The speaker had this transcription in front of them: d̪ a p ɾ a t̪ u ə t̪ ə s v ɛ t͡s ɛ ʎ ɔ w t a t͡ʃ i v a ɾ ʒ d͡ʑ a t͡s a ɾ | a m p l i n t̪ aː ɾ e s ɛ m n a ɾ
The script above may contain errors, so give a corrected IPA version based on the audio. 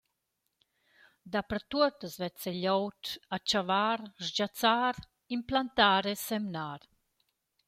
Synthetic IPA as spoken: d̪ a p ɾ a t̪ u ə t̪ ə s v ɛ t͡s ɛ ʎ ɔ w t a t͡ʃ a v a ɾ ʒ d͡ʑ a t͡s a ɾ | i m p l a n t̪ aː ɾ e s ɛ m n a ɾ